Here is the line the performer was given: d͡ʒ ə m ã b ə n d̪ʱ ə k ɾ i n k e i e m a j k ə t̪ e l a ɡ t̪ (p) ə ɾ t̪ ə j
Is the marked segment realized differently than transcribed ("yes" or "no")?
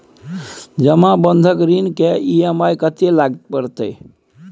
no